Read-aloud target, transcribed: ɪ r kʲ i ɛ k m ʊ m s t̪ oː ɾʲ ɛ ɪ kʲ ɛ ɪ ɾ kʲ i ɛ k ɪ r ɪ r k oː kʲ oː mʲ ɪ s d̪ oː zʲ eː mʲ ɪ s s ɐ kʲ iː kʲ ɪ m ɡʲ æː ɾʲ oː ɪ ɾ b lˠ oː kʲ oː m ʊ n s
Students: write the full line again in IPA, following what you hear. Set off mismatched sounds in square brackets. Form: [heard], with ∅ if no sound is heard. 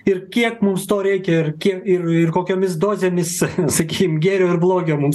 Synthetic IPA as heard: ɪ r kʲ i ɛ k m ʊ m s t̪ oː ɾʲ ɛ ɪ kʲ ɛ ɪ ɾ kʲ i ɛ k ɪ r ɪ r k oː kʲ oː mʲ ɪ s d̪ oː zʲ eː mʲ ɪ s s ɐ kʲ iː kʲ ɪ m ɡʲ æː ɾʲ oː ɪ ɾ b lˠ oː [ɡʲ] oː m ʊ [m] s